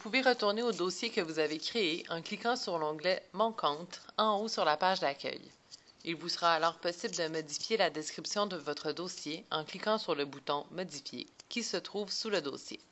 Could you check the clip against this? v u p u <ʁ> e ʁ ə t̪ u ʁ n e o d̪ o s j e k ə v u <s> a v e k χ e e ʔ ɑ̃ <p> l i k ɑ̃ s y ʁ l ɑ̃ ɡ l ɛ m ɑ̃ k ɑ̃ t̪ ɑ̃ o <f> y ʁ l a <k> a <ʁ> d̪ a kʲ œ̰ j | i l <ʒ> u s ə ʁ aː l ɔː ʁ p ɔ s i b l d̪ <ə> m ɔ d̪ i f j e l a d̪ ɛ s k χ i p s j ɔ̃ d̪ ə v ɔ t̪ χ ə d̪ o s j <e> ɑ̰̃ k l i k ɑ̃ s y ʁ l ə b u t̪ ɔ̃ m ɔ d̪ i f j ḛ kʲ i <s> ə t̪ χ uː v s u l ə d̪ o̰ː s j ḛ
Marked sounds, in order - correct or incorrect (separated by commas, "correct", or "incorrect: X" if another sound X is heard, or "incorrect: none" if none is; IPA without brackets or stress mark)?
incorrect: v, incorrect: z, incorrect: k, incorrect: s, incorrect: p, incorrect: ʒ, incorrect: v, correct, correct, correct